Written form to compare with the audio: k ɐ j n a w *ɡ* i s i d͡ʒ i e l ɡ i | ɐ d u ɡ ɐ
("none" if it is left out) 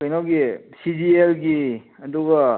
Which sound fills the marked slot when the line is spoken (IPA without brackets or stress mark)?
ɡ